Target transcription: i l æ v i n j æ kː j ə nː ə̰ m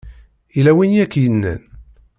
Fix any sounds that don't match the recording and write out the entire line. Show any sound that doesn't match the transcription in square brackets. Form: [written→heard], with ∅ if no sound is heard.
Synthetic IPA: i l æ [v→w] i n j æ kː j ə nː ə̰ [m→n]